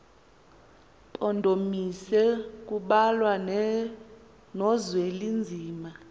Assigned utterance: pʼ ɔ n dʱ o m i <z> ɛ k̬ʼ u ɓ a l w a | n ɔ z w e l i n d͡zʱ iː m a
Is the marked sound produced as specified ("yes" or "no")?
no